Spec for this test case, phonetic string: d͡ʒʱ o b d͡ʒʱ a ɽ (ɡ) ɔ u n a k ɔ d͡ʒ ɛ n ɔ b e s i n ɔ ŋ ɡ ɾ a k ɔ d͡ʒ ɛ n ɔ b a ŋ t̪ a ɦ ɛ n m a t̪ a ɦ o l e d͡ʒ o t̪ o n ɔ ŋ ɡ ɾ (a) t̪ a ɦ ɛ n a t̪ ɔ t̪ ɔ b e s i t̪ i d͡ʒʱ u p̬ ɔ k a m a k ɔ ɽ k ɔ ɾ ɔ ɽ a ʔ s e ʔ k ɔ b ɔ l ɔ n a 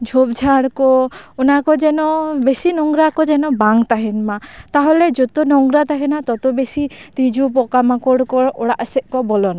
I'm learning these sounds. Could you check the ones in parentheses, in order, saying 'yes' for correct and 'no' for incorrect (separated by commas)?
no, yes